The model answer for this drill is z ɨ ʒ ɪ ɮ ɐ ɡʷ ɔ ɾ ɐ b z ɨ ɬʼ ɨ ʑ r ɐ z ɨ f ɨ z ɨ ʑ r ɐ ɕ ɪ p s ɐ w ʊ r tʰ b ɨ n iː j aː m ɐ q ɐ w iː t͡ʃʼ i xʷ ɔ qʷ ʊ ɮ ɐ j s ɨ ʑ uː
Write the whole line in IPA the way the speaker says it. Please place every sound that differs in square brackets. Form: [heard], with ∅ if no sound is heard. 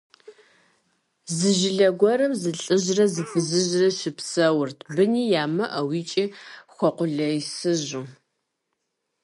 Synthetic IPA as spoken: z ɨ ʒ ɪ ɮ ɐ ɡʷ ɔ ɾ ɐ [m] z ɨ ɬʼ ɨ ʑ r ɐ z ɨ f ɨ z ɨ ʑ r ɐ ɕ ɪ p s ɐ w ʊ r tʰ b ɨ n iː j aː m ɐ [ʔ] ɐ w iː t͡ʃʼ i xʷ ɔ qʷ ʊ ɮ ɐ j s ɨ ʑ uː